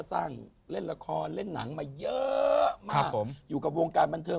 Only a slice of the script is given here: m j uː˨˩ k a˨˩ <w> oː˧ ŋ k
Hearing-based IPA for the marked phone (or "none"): w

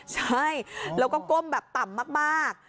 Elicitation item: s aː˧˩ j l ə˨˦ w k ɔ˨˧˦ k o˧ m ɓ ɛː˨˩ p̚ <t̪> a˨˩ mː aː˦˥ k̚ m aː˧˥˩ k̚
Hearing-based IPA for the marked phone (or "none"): t̪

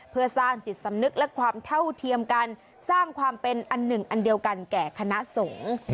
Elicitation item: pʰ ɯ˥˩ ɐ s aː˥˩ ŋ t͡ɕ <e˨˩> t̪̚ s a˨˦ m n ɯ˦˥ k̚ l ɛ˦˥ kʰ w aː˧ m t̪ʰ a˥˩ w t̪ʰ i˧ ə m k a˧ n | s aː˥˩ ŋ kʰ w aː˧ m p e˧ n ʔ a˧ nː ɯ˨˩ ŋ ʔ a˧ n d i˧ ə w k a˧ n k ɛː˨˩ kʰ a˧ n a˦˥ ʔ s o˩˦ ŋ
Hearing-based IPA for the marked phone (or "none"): i˨˩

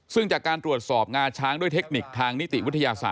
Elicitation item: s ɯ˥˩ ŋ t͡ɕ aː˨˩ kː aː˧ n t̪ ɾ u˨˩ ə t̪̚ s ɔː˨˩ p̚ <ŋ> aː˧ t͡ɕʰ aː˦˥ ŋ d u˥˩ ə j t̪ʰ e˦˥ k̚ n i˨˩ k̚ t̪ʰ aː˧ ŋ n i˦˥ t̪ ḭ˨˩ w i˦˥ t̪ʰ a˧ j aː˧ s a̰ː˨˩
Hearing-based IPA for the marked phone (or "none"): ŋ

